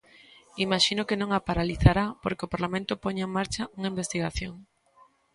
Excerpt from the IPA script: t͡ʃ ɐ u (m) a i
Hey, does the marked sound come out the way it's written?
no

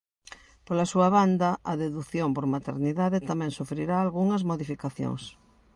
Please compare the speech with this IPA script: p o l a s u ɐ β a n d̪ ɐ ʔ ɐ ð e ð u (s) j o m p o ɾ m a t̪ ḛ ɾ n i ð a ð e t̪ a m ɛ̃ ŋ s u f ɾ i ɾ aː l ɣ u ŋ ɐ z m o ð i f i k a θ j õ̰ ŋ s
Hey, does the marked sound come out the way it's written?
no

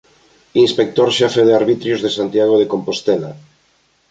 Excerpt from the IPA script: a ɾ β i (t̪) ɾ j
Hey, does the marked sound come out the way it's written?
yes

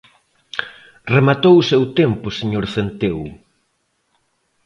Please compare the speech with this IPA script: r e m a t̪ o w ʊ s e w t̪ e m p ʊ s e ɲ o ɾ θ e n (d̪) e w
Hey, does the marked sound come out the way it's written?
no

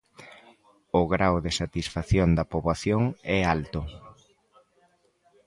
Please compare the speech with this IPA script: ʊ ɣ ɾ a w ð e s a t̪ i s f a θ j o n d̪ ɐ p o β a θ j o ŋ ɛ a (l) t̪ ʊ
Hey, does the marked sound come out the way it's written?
yes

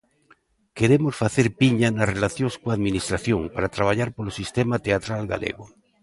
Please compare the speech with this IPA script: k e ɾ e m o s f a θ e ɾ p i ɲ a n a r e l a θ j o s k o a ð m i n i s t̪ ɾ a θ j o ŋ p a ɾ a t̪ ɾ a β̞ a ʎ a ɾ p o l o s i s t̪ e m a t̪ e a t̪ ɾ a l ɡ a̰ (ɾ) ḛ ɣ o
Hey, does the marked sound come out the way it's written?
no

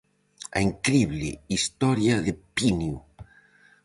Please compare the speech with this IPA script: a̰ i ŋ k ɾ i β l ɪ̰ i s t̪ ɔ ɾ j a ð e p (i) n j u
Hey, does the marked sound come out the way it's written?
yes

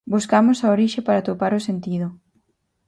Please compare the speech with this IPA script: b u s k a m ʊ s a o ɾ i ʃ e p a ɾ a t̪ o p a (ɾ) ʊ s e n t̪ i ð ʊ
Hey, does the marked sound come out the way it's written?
yes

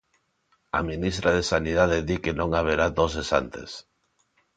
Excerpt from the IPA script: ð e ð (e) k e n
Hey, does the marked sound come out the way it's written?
no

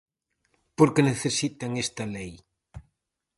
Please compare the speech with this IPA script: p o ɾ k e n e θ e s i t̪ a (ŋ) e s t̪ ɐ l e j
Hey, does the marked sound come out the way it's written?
yes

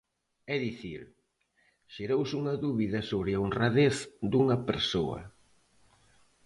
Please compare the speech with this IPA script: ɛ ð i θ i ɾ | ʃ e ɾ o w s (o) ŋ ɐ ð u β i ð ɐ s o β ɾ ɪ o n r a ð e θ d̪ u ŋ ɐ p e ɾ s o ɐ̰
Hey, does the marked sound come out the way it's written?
no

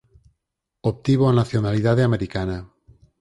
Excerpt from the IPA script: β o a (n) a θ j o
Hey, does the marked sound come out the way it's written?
yes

